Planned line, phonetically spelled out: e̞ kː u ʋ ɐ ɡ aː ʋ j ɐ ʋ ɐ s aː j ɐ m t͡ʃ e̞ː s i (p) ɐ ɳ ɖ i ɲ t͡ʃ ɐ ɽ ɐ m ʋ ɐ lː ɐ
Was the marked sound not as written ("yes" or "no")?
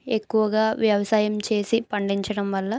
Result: no